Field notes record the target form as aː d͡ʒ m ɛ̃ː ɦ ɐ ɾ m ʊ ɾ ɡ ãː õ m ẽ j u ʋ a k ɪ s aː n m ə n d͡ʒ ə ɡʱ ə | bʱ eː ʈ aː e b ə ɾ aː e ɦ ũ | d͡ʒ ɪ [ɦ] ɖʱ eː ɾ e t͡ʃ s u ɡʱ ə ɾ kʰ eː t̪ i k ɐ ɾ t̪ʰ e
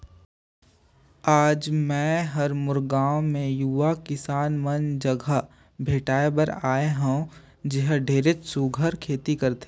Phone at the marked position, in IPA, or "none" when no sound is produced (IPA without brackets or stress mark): ɦ